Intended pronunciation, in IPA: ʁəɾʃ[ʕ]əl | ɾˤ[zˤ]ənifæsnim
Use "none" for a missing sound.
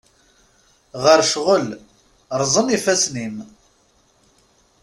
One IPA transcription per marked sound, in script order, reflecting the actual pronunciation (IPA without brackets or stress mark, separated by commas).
ʁ, zˤ